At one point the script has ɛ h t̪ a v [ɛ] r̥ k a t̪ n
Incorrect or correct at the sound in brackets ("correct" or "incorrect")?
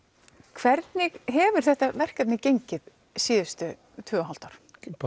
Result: correct